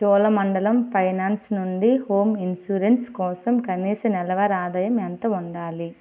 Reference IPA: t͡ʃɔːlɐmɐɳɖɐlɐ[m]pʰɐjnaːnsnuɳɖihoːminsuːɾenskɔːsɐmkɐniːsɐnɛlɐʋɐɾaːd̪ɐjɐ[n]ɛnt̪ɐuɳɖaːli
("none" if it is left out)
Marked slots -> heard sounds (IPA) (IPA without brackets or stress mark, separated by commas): m, m